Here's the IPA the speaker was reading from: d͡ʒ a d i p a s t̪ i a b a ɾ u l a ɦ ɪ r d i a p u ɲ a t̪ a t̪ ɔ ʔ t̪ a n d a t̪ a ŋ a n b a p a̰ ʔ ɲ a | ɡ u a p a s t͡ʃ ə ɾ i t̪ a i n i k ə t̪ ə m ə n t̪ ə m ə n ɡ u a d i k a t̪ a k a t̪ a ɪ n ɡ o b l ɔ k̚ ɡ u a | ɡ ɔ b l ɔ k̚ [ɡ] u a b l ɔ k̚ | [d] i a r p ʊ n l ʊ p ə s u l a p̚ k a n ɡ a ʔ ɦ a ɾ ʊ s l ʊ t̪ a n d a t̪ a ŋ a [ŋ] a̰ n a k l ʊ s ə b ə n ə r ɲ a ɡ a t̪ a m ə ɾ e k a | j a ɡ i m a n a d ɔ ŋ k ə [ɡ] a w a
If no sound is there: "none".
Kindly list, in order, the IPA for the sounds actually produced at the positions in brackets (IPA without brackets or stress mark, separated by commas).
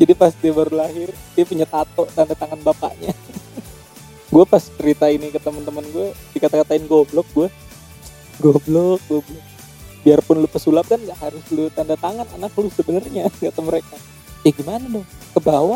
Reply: ɡ, b, n, b